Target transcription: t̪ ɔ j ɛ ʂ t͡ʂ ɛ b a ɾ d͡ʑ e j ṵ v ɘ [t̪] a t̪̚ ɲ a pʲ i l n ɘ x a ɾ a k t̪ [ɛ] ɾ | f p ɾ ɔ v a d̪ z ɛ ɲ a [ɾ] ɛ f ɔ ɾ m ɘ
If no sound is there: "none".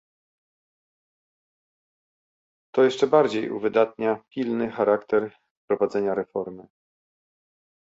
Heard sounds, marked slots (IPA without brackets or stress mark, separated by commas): d̪, ɛ, ɾ